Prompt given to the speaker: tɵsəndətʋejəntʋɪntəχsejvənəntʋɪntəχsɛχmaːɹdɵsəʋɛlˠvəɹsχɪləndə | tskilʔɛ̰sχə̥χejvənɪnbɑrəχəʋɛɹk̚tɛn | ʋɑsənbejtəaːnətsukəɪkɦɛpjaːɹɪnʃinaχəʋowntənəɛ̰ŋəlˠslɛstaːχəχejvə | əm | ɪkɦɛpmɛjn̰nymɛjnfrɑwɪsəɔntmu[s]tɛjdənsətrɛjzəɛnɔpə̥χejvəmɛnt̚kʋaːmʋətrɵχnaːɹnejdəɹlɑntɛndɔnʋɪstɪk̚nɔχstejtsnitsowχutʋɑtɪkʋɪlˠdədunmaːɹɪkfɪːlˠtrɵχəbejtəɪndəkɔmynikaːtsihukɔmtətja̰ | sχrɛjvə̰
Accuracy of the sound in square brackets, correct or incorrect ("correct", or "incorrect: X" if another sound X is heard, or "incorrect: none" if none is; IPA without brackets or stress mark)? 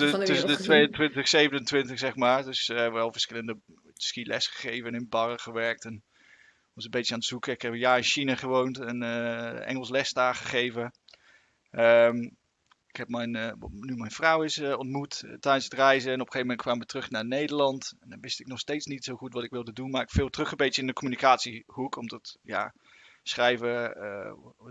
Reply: incorrect: t